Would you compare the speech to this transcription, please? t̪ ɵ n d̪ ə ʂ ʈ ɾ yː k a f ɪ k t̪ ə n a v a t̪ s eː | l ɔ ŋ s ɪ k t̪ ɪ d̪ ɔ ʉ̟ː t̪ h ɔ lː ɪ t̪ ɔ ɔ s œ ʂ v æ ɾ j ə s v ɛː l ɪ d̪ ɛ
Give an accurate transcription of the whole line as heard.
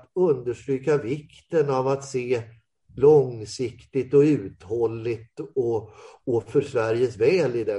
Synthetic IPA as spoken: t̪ ɵ n d̪ ə ʂ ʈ ɾ yː k a v ɪ k t̪ ə n a v a t̪ s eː | l ɔ ŋ s ɪ k t̪ ɪ t̪ ɔ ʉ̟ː t̪ h ɔ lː ɪ t̪ ɔ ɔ f œ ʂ v æ ɾ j ə s v ɛː l ɪ d̪ ɛ